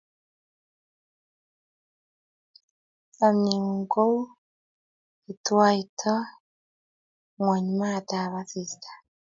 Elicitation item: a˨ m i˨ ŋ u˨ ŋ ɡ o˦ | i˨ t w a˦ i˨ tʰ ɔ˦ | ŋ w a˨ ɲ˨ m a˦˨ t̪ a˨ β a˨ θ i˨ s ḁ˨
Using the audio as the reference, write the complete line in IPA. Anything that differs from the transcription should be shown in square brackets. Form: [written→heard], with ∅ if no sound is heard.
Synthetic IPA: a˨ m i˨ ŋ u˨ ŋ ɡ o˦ | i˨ t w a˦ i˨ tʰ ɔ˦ | ŋ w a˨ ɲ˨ m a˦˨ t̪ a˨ β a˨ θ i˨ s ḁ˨